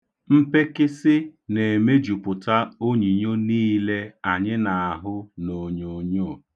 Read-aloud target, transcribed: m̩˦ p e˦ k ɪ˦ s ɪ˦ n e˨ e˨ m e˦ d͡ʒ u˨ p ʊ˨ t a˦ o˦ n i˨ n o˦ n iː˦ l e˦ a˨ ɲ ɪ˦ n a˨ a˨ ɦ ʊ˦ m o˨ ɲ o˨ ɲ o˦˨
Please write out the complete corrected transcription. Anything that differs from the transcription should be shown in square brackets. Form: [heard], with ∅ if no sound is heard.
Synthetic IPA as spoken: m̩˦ p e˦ k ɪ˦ s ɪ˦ n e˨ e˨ m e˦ d͡ʒ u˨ p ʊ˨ t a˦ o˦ [ɲ] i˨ [ɲ] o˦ n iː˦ l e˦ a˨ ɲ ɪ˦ n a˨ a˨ ɦ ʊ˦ [n] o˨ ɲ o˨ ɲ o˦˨